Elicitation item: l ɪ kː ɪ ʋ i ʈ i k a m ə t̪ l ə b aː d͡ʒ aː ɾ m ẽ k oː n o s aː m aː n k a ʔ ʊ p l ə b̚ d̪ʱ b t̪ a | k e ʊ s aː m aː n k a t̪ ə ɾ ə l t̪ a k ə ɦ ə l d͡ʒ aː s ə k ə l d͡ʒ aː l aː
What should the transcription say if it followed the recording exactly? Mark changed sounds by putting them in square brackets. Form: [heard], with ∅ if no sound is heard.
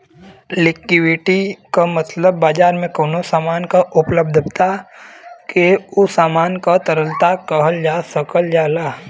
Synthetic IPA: l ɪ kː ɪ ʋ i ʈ i k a m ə t̪ l ə [bː] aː d͡ʒ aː ɾ m ẽ k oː n o s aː m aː n k a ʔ ʊ p l ə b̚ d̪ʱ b t̪ a | k e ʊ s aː m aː n k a t̪ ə ɾ ə l t̪ a k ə ɦ ə l d͡ʒ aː s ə k ə l d͡ʒ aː l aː

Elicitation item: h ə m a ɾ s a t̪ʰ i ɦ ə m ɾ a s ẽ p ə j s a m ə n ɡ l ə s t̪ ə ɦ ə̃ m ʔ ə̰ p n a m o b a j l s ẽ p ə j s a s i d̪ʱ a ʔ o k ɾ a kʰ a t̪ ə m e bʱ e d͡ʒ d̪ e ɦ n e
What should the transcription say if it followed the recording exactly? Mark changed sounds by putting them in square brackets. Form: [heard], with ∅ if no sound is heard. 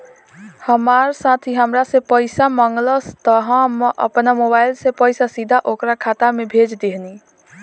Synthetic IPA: h ə m a ɾ s a t̪ʰ i ɦ ə m ɾ a s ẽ p ə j s a m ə [ŋ] ɡ l ə s t̪ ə ɦ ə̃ m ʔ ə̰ p n a m o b a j l s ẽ p ə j s a s i d̪ʱ a ʔ o k ɾ a kʰ a t̪ [a] m e bʱ e d͡ʒ d̪ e ɦ n [i]

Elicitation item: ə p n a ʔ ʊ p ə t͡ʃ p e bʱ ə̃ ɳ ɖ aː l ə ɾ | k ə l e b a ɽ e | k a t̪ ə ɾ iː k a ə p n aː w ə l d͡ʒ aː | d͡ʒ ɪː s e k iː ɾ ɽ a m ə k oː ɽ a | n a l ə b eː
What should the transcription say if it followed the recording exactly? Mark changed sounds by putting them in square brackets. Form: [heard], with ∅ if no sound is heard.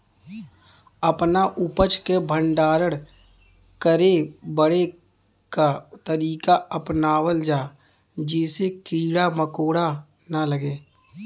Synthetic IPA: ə p n a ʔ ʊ p ə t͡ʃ [k] e bʱ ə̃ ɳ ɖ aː [ɾ] ə [ɽ] | k ə [ɾ] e b [ə] ɽ e | k a t̪ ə ɾ iː k a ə p n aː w ə l d͡ʒ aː | d͡ʒ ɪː s e k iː [∅] ɽ a m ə k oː ɽ a | n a l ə [ɡ] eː

